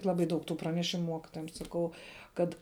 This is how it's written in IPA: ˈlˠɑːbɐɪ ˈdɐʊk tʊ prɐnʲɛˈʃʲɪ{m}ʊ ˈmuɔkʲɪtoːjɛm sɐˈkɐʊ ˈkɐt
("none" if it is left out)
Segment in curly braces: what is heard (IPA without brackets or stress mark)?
m